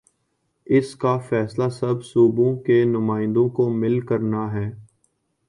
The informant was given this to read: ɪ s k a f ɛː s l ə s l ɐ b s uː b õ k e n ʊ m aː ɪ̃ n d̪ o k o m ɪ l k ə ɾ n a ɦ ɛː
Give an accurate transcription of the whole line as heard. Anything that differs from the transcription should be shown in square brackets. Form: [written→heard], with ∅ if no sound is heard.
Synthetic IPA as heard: ɪ s k a f ɛː s l [ə→a] s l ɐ b s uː b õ k e n ʊ m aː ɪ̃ n d̪ [o→õ] k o m ɪ l k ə ɾ n a ɦ ɛː

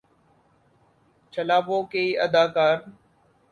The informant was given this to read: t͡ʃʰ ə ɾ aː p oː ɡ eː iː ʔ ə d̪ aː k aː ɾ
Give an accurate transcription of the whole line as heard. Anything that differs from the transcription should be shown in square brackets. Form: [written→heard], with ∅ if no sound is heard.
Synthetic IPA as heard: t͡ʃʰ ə [ɾ→l] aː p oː [ɡ→k] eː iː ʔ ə d̪ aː k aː ɾ

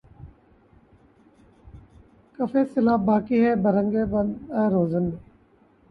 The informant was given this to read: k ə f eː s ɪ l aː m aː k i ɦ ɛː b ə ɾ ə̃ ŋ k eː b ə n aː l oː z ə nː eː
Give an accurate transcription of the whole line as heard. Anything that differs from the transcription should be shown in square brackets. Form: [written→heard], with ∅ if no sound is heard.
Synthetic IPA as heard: k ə f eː s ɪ l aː [m→b] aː k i ɦ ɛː b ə ɾ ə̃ ŋ [k→ɡ] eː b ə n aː [l→ɾ] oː z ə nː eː

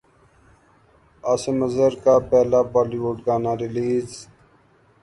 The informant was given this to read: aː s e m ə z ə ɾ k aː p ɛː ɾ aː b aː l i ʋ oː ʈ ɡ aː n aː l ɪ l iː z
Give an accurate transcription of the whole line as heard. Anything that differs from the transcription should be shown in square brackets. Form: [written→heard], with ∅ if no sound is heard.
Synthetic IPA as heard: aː s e m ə z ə ɾ k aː p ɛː [ɾ→l] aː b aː l i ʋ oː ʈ ɡ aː n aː [l→ɾ] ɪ l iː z

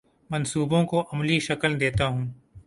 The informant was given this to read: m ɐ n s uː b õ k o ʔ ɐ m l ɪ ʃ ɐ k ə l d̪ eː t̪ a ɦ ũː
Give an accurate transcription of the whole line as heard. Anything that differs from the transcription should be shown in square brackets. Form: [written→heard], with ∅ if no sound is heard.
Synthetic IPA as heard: m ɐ n s uː b õ k o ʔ ɐ m l [ɪ→i] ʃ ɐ k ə l d̪ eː t̪ a ɦ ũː

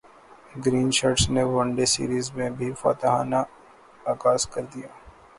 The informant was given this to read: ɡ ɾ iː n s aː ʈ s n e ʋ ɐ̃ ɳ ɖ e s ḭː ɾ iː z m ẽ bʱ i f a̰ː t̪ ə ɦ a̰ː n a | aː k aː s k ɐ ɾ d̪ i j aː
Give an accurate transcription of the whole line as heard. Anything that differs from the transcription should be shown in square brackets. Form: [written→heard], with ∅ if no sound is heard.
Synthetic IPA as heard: ɡ ɾ iː n [s→ʃ] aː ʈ s n e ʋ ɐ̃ ɳ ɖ e s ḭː ɾ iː z m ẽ bʱ i f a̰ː t̪ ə ɦ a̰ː n a | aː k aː s k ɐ ɾ d̪ i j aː

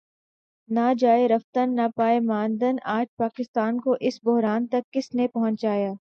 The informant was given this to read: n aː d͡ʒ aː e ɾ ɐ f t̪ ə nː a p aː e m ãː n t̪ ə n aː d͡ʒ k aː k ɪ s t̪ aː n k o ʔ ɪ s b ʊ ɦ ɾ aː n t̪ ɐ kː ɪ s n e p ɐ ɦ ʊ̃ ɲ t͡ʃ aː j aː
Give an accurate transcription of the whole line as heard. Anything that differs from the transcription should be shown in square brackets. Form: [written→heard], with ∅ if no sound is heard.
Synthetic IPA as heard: n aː d͡ʒ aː e ɾ ɐ f t̪ ə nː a p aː e m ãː n [t̪→d̪] ə n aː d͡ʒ [k→p] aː k ɪ s t̪ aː n k o ʔ ɪ s b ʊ ɦ ɾ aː n t̪ ɐ kː ɪ s n e p ɐ ɦ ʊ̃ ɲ t͡ʃ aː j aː

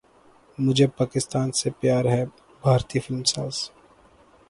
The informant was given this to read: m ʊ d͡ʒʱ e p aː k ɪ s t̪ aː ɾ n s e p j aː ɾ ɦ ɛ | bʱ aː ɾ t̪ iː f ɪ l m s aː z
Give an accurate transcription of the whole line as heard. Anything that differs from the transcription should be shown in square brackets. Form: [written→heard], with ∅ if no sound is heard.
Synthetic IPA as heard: m ʊ d͡ʒʱ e p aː k ɪ s t̪ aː [ɾ→∅] n s e p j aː ɾ ɦ ɛ | bʱ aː ɾ t̪ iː f ɪ l m s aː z

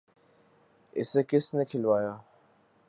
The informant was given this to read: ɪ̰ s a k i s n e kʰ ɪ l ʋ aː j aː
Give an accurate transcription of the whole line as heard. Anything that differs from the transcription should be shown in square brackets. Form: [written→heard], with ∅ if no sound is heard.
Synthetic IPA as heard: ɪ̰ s [a→e] k [i→ɪ] s n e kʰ ɪ l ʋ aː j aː

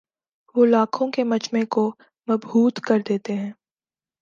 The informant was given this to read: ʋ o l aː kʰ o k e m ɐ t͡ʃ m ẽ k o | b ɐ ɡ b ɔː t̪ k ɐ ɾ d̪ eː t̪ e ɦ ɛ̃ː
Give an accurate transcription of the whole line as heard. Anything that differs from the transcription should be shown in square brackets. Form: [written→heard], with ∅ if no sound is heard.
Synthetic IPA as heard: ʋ o l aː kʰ [o→õ] k e m ɐ t͡ʃ m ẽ k o | [b→m] ɐ [ɡ→b] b [ɔː→uː] t̪ k ɐ ɾ d̪ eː t̪ e ɦ ɛ̃ː

